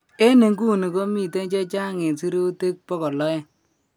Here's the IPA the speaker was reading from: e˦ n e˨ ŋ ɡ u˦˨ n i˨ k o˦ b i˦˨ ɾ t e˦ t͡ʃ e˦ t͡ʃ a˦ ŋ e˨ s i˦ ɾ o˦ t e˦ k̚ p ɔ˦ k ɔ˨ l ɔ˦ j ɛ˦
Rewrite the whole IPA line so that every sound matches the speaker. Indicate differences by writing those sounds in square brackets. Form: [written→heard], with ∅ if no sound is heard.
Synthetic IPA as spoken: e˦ n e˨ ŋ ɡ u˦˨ n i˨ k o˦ [b→m] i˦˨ [ɾ→∅] t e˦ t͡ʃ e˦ t͡ʃ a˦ ŋ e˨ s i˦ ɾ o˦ t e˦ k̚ p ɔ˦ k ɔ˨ l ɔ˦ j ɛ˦

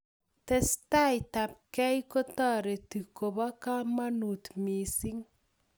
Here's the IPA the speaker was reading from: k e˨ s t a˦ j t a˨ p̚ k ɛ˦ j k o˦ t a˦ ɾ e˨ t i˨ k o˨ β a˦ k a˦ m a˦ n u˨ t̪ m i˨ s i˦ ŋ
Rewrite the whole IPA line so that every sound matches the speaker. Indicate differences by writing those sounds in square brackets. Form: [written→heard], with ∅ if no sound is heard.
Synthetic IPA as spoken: [k→t] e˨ s t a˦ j t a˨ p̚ k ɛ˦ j k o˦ t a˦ ɾ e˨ t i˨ k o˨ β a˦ k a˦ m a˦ n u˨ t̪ m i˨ s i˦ ŋ

